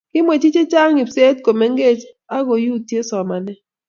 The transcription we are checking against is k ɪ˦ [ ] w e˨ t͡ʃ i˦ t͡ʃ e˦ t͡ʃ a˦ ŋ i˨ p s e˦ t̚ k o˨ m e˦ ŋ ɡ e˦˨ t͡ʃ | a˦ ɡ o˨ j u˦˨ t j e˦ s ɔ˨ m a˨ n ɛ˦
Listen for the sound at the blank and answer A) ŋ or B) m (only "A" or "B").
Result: B